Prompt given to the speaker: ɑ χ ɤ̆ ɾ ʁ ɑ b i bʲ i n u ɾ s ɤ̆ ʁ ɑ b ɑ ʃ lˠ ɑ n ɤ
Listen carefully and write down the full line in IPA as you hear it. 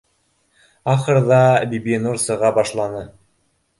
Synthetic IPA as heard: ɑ χ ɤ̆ ɾ ð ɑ b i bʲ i n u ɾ s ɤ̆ ʁ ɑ b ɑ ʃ lˠ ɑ n ɤ